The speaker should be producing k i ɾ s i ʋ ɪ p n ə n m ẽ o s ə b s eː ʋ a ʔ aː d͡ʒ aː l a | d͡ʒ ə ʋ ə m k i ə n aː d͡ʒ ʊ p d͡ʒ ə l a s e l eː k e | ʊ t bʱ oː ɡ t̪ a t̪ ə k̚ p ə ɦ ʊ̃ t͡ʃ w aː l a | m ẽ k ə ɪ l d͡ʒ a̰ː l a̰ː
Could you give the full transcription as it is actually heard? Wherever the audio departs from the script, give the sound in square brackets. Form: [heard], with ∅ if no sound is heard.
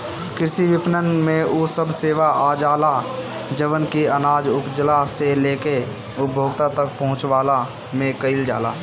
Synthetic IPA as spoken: k [ɪ] ɾ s i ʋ ɪ p n ə n m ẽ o s ə b s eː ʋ a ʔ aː d͡ʒ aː l a | d͡ʒ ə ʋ ə [n] k i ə n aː d͡ʒ ʊ p d͡ʒ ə l a s e l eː k e | ʊ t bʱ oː ɡ t̪ a t̪ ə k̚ p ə ɦ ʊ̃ t͡ʃ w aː l a | m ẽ k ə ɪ l d͡ʒ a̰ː l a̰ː